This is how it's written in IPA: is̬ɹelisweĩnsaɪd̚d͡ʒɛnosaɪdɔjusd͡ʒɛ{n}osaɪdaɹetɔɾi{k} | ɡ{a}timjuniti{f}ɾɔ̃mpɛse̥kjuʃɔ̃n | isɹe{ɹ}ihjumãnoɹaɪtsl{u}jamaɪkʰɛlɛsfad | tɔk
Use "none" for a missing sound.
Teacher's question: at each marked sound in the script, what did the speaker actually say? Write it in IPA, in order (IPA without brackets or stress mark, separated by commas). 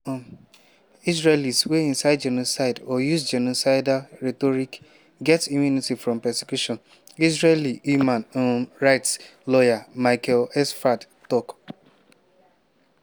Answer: n, k, ɛ, f, l, ɔ